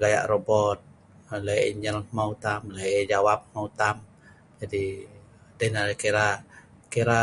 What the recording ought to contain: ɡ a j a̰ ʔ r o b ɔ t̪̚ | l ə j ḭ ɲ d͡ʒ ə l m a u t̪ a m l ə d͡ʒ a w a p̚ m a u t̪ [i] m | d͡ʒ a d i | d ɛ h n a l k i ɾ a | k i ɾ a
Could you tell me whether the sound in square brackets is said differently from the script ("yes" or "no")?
yes